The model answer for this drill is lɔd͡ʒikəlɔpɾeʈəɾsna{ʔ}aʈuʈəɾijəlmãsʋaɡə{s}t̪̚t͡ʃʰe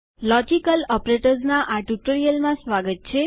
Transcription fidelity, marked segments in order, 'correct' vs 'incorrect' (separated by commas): correct, incorrect